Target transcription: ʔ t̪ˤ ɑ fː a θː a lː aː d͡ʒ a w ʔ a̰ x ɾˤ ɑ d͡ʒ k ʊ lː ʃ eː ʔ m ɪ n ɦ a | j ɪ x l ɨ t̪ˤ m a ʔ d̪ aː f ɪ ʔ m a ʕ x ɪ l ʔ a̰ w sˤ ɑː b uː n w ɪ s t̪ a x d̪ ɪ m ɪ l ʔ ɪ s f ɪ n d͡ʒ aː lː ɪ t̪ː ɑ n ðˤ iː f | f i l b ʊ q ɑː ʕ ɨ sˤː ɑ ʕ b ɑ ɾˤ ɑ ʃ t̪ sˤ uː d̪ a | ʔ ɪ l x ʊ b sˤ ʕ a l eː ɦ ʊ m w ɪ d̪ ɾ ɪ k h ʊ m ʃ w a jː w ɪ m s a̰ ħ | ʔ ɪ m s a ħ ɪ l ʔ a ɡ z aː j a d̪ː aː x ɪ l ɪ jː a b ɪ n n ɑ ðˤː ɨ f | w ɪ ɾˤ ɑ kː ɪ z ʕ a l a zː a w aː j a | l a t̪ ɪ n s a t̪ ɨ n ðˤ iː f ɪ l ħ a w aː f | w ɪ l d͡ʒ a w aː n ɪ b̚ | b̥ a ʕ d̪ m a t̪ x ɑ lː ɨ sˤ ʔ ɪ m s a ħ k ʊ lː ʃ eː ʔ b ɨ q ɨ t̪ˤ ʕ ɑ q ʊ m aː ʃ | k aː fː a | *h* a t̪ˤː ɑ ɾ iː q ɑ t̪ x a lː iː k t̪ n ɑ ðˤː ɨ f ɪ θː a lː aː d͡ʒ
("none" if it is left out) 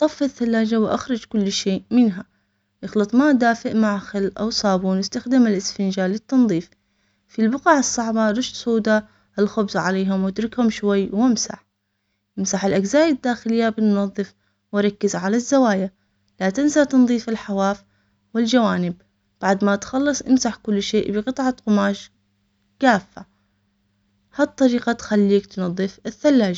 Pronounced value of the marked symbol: h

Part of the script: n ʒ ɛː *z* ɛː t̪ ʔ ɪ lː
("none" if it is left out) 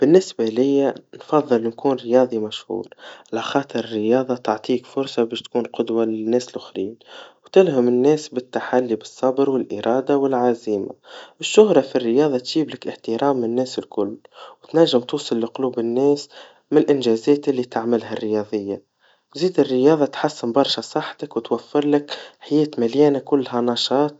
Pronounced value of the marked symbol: z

